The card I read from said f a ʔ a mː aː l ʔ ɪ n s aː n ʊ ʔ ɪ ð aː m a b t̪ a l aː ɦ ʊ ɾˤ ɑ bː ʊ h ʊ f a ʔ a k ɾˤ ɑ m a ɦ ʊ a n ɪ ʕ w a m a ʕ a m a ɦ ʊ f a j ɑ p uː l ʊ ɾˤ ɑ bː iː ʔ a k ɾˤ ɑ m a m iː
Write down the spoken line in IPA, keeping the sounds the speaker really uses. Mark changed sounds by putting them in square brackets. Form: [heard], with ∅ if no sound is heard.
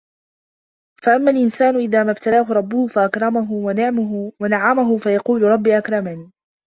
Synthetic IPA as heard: f a ʔ a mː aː l ʔ ɪ n s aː n ʊ ʔ ɪ ð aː m a b t̪ a l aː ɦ ʊ ɾˤ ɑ bː ʊ h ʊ f a ʔ a k ɾˤ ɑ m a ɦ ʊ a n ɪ ʕ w a [n] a ʕ a m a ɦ ʊ f a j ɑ [q] uː l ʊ ɾˤ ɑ bː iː ʔ a k ɾˤ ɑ m a [n] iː

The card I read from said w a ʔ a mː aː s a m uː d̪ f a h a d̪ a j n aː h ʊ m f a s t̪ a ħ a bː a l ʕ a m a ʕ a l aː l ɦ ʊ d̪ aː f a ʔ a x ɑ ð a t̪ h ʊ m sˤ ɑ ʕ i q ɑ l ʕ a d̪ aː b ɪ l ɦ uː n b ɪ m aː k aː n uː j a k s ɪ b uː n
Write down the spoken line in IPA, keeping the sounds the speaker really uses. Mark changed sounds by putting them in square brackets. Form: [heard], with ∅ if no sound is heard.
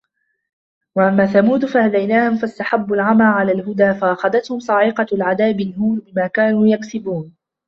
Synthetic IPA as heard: w a ʔ a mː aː [θ] a m uː d̪ f a h a d̪ a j n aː h ʊ m f a s t̪ a ħ a bː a l ʕ a m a ʕ a l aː l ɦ ʊ d̪ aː f a ʔ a x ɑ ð a t̪ h ʊ m sˤ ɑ ʕ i q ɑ l ʕ a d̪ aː b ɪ l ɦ uː n b ɪ m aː k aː n uː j a k s ɪ b uː n

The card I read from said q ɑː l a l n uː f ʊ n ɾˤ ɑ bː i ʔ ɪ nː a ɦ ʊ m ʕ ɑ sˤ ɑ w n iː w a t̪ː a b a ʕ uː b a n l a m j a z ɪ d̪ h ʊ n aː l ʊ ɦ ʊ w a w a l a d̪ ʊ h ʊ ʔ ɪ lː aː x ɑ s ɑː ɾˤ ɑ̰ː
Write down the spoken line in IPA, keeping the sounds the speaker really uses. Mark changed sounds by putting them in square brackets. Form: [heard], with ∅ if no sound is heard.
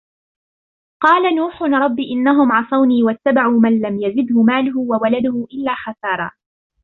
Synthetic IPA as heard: q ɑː l a [∅] n uː [ħ] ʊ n ɾˤ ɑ bː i ʔ ɪ nː a ɦ ʊ m ʕ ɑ sˤ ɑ w n iː w a t̪ː a b a ʕ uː [m] a n l a m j a z ɪ d̪ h ʊ [m] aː l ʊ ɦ ʊ w a w a l a d̪ ʊ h ʊ ʔ ɪ lː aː x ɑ s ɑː ɾˤ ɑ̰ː

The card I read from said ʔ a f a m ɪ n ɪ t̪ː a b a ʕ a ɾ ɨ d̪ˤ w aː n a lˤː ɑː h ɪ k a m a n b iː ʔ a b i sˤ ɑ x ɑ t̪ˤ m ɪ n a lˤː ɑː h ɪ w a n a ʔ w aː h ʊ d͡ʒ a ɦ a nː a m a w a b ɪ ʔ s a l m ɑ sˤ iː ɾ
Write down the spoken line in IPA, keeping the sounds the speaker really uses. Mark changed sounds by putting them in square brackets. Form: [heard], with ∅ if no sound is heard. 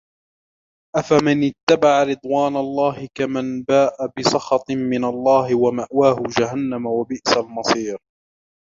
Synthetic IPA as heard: ʔ a f a m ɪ n ɪ t̪ː a b a ʕ a ɾ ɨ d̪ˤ w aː n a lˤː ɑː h ɪ k a m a n b [aː] ʔ a b [ɪ] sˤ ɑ x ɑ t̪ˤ m ɪ n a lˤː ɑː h ɪ w a [m] a ʔ w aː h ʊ d͡ʒ a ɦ a nː a m a w a b ɪ ʔ s a l m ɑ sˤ iː ɾ

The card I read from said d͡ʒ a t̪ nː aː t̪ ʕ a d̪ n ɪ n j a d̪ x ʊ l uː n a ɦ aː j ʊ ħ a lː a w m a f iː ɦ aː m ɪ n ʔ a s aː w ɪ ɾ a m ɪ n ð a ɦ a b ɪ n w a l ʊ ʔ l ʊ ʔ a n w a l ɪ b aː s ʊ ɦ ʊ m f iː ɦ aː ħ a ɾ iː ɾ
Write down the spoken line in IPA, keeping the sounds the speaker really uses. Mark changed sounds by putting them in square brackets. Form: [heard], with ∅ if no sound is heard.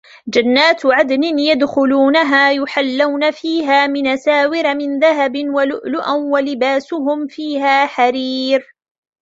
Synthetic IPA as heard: d͡ʒ a [∅] nː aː t̪ ʕ a d̪ n ɪ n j a d̪ x ʊ l uː n a ɦ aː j ʊ ħ a lː a w [n] a f iː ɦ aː m ɪ n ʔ a s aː w ɪ ɾ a m ɪ n ð a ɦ a b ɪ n w a l ʊ ʔ l ʊ ʔ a n w a l ɪ b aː s ʊ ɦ ʊ m f iː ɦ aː ħ a ɾ iː ɾ

